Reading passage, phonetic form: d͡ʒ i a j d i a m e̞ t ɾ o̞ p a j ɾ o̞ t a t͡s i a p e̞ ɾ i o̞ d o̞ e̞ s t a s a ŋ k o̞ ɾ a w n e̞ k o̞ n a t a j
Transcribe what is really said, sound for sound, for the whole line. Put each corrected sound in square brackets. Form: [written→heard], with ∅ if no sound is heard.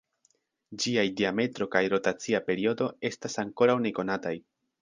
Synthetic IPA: d͡ʒ i a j d i a m e̞ t ɾ o̞ [p→k] a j ɾ o̞ t a t͡s i a p e̞ ɾ i o̞ d o̞ e̞ s t a s a ŋ k o̞ ɾ a w n e̞ k o̞ n a t a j

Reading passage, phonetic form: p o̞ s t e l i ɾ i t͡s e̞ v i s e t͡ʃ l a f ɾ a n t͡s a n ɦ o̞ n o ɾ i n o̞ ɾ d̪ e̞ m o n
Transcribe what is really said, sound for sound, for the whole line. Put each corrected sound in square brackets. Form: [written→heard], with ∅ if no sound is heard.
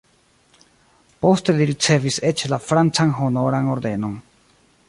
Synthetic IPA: p o̞ s t e l i ɾ i t͡s e̞ v i s e t͡ʃ l a f ɾ a n t͡s a n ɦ o̞ n o ɾ [i→a] n o̞ ɾ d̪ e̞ [m→n] o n

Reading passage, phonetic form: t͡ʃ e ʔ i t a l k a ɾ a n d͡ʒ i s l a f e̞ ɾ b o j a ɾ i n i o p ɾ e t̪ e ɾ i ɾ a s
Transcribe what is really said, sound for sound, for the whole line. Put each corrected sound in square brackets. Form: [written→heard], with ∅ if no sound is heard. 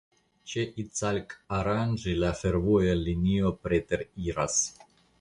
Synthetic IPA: t͡ʃ e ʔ i [t→t͡s] a l k a ɾ a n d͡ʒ i [s→∅] l a f e̞ ɾ [b→v] o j a [ɾ→l] i n i o p ɾ e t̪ e ɾ i ɾ a s

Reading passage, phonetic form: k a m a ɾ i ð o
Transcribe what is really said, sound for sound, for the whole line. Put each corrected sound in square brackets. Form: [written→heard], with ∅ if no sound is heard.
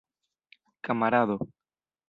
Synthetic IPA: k a m a ɾ [i→a] ð o

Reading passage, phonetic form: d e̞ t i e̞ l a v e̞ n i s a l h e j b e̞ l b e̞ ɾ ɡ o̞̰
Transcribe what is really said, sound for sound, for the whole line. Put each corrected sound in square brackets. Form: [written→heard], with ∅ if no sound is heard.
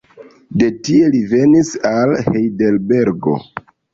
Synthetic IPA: d e̞ t i e̞ l [a→i] v e̞ n i s a l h e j [b→d] e̞ l b e̞ ɾ ɡ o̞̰

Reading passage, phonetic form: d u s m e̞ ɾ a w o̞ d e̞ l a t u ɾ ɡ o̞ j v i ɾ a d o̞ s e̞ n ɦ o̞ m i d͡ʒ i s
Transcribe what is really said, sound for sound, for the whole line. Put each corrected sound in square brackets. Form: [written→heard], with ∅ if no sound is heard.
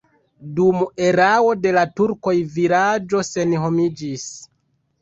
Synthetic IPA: d u [s→∅] m e̞ ɾ a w o̞ d e̞ l a t u ɾ [ɡ→k] o̞ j v i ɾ a [d→d͡ʒ] o̞ s e̞ n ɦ o̞ m i d͡ʒ i s

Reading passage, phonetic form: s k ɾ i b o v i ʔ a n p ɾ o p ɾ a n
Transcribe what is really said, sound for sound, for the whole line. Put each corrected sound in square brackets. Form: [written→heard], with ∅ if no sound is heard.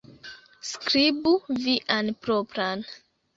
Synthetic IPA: s k ɾ i b [o→u] v i ʔ a n p ɾ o p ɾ a n

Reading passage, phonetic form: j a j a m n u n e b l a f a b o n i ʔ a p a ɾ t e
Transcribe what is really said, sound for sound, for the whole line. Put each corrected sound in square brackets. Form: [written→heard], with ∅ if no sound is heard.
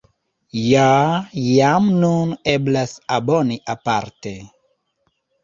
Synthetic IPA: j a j a m n u n e b l a [f→s] a b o n i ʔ a p a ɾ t e

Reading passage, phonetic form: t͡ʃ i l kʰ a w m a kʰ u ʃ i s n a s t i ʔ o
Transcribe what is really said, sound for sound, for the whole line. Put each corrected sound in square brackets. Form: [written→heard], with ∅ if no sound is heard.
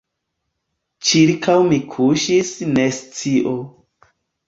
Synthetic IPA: t͡ʃ i [l→ɾ] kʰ a w m [a→i] kʰ u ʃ i s n [a→e] s [t→t͡s] i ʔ o

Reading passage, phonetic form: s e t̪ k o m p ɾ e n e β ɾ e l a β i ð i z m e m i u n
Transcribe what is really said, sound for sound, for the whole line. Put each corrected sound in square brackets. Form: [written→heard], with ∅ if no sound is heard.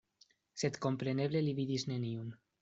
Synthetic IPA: s e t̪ k o m p ɾ e n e β [ɾ→l] e l [a→i] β i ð i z [m→n] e [m→n] i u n

